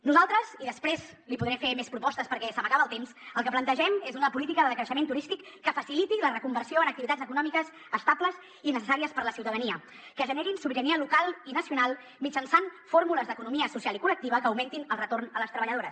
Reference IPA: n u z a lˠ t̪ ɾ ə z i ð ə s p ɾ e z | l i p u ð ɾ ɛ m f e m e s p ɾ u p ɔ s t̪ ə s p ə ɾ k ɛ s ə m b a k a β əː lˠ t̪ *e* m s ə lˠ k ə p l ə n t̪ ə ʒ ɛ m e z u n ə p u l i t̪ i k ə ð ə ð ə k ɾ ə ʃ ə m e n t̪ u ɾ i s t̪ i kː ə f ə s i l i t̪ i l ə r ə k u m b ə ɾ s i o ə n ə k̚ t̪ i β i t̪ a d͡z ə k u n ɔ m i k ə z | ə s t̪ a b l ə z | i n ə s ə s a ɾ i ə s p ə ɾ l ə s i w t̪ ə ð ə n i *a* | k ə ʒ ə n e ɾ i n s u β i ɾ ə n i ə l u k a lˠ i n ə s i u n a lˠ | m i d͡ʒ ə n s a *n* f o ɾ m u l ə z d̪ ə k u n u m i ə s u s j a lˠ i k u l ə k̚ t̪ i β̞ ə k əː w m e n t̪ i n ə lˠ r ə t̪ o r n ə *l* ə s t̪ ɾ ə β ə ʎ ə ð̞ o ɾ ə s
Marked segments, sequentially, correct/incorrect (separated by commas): correct, incorrect, correct, correct